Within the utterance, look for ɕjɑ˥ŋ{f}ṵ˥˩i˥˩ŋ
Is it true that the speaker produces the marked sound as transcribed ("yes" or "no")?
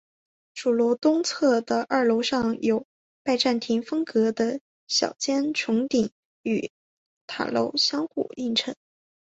no